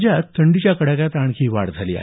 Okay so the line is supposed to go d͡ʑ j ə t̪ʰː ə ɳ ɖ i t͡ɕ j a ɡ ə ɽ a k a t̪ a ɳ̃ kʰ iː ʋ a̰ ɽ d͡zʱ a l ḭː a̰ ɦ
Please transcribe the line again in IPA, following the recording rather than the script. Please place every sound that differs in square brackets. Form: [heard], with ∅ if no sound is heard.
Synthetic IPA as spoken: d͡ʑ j [a] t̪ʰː ə ɳ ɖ i t͡ɕ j a [k] ə ɽ a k a t̪ a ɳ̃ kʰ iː ʋ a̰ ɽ d͡zʱ a l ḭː a̰ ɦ